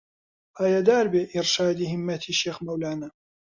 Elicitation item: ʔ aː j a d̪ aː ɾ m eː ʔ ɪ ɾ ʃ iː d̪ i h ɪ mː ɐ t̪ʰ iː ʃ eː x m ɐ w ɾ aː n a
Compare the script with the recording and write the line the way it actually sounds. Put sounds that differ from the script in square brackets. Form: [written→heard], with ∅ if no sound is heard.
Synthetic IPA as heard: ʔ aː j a d̪ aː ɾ [m→b] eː ʔ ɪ ɾ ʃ [iː→aː] d̪ i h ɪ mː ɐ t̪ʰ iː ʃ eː x m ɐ w [ɾ→l] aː n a